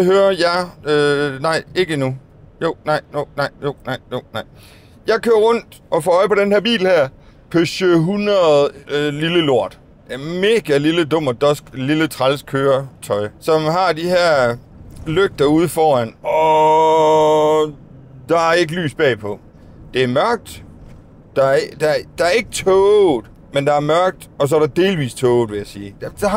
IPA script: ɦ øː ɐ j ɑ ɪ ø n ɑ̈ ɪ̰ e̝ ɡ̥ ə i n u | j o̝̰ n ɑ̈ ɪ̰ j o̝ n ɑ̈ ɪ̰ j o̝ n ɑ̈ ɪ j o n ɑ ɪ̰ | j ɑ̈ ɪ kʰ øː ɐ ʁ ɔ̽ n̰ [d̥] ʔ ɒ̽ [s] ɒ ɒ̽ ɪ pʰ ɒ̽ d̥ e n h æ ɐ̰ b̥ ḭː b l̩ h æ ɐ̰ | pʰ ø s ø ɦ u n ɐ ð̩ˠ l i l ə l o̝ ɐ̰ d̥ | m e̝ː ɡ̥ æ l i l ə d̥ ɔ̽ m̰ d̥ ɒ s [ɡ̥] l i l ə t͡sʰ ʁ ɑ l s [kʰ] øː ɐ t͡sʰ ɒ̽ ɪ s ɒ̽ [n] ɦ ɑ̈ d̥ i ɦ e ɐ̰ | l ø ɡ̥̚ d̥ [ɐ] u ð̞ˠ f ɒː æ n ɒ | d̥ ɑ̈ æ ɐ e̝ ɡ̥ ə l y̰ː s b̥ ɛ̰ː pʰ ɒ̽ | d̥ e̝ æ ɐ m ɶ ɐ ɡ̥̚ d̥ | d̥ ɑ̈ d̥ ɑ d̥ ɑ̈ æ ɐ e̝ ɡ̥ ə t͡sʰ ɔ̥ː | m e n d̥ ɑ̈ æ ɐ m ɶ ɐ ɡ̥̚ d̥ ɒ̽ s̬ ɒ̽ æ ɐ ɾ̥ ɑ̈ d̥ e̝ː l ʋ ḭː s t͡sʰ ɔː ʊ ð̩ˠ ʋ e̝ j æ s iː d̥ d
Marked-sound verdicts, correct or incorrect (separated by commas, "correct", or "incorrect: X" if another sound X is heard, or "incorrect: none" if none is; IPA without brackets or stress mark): correct, incorrect: f, correct, correct, incorrect: m, correct